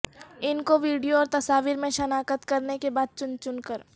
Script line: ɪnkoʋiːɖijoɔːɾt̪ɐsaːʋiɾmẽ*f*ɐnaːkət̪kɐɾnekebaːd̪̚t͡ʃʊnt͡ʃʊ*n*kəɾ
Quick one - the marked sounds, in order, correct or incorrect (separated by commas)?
incorrect, correct